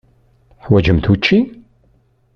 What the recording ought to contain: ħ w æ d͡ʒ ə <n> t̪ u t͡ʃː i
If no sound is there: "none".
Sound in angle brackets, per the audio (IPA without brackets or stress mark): m